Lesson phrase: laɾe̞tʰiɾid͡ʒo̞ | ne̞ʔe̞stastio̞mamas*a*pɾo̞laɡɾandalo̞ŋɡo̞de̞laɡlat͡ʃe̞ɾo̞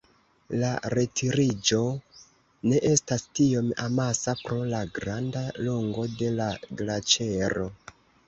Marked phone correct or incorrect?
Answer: correct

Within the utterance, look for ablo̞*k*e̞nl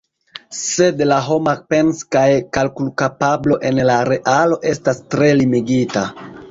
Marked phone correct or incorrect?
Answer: incorrect: ʔ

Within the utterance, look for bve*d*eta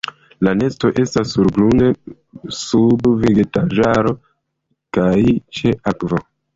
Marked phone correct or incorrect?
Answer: incorrect: ɡ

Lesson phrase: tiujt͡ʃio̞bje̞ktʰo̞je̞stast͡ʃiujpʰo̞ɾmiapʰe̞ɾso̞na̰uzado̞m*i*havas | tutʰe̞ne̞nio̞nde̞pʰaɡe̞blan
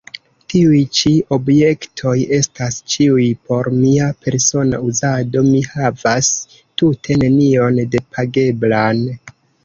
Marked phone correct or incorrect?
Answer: correct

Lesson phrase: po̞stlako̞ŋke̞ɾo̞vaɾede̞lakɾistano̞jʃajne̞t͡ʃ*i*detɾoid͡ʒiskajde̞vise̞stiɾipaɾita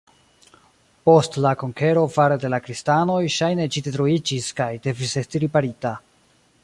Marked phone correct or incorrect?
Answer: correct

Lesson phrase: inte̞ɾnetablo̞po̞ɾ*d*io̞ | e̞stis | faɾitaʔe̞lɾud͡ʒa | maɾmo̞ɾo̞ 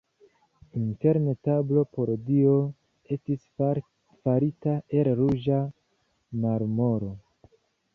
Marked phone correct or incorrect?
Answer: correct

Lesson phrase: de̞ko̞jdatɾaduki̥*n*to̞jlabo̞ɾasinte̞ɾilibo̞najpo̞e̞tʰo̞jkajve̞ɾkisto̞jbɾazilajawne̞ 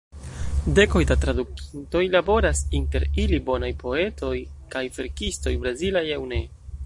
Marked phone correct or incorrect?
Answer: correct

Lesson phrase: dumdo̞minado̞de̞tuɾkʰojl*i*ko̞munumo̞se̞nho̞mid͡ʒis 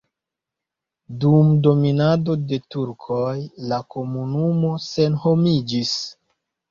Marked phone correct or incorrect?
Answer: incorrect: a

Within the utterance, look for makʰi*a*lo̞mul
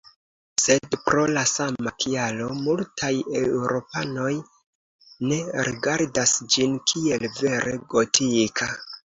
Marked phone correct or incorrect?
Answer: correct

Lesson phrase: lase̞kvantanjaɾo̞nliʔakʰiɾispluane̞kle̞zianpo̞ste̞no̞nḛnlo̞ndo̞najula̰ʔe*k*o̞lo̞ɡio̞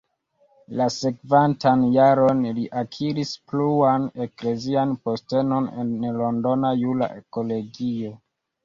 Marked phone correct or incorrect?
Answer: correct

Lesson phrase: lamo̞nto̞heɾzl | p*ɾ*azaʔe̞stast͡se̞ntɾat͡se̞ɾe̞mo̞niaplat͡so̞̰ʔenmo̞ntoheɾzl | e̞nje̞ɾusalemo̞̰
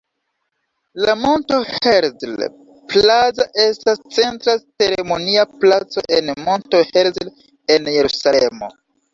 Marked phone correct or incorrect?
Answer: incorrect: l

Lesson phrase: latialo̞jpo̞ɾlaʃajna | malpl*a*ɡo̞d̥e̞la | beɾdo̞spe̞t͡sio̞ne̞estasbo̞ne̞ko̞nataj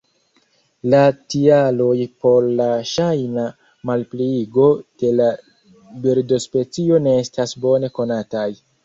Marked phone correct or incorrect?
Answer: incorrect: i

